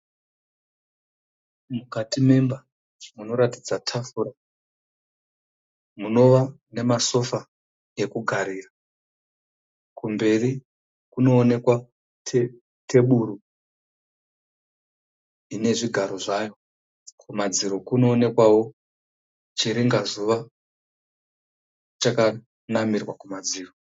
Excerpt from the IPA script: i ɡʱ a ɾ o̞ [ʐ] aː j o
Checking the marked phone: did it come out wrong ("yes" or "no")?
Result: no